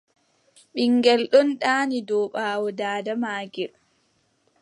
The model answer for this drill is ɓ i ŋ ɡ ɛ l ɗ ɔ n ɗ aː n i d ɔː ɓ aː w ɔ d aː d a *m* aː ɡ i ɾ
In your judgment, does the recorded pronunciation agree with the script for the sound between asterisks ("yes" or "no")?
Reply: yes